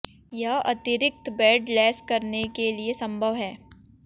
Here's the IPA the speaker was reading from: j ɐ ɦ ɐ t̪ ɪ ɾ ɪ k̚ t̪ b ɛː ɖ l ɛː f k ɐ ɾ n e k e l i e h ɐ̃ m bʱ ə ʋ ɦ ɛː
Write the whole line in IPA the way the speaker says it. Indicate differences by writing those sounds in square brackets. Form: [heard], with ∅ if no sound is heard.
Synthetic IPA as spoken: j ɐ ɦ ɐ t̪ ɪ ɾ ɪ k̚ t̪ b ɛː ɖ l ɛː [s] k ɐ ɾ n e k e l i e [s] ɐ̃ m bʱ ə ʋ ɦ ɛː